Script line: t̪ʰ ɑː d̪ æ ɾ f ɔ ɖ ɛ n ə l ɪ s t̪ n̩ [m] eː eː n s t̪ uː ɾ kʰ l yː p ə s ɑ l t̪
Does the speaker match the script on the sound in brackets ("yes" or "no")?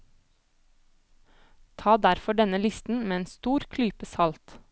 yes